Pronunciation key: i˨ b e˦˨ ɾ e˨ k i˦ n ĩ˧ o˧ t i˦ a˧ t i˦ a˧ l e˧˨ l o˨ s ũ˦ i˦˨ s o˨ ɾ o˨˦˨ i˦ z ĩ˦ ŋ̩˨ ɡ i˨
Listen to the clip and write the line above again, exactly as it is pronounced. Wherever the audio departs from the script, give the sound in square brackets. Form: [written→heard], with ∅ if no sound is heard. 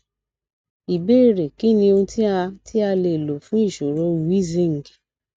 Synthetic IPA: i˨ b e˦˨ ɾ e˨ k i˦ n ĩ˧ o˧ t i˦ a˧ t i˦ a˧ l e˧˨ l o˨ [s→f] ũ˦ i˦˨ [s→ʃ] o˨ ɾ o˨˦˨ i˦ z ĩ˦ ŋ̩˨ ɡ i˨

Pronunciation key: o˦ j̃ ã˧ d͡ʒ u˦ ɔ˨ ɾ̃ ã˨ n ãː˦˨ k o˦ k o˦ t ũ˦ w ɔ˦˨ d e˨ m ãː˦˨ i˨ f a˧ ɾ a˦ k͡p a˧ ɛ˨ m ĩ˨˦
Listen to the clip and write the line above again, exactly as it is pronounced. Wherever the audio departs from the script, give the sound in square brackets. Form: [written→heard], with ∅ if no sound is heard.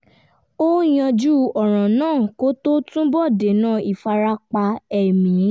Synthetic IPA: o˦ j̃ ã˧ d͡ʒ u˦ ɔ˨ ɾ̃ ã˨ n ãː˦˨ k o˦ [k→t] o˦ t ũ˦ [w→b] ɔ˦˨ d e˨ [m→n] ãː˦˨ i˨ f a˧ ɾ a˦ k͡p a˧ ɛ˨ m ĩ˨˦

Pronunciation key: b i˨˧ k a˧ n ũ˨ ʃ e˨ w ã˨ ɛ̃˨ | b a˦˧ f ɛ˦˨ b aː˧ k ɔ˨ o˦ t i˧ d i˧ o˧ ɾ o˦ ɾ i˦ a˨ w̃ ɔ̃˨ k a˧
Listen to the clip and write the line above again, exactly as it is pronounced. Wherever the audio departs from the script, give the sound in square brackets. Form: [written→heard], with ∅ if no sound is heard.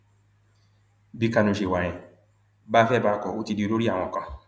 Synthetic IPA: b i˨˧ k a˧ n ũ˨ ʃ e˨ w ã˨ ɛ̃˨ | b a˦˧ f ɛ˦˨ b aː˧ k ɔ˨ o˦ t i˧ d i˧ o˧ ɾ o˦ ɾ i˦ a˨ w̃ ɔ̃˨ k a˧

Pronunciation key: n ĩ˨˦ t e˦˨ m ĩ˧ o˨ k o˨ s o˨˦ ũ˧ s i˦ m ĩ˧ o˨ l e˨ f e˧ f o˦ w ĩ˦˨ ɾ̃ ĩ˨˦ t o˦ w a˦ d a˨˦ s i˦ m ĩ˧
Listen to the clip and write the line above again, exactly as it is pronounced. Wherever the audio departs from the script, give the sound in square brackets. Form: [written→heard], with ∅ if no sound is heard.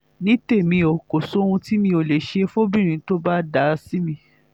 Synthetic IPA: n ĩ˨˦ t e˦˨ m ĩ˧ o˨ k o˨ s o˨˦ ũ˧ [s→t] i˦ m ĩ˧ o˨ l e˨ [f→ʃ] e˧ f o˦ [w→b] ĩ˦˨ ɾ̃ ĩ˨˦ t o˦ [w→b] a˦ d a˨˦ s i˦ m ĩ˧

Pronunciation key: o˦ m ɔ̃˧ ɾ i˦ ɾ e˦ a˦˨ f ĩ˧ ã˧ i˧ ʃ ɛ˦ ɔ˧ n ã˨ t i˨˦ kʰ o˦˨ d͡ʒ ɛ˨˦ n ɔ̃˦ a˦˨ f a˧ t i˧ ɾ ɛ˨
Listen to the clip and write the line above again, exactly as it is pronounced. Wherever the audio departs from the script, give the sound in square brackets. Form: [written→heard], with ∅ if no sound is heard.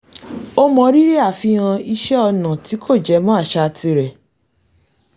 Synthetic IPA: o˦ m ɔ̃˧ ɾ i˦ ɾ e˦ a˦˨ f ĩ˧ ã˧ i˧ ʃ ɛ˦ ɔ˧ n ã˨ t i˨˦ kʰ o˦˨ d͡ʒ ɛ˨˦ [n→m] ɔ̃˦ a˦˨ [f→ʃ] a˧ t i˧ ɾ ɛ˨

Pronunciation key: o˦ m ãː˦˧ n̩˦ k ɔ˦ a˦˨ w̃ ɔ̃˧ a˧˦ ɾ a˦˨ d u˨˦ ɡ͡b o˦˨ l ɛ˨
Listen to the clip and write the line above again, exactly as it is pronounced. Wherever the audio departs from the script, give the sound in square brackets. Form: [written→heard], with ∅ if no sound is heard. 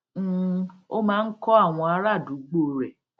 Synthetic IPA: o˦ m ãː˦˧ n̩˦ k ɔ˦ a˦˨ w̃ ɔ̃˧ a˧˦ ɾ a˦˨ d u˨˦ ɡ͡b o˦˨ [l→ɾ] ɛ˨

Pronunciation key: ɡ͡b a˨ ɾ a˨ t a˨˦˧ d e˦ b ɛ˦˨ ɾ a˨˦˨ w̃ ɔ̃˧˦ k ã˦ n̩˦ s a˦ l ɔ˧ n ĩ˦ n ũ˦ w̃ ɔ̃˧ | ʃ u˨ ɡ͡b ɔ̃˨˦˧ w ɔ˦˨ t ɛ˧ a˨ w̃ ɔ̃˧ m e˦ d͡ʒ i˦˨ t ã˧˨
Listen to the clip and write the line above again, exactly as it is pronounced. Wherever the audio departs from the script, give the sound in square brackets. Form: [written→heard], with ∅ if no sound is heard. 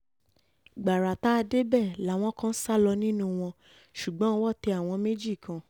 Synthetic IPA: ɡ͡b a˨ ɾ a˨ t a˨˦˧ d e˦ b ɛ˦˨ [ɾ→l] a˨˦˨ w̃ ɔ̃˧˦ k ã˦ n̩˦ s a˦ l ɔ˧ n ĩ˦ n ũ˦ w̃ ɔ̃˧ | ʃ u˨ ɡ͡b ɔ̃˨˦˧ w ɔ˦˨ t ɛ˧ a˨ w̃ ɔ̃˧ m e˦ d͡ʒ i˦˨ [t→k] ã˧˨

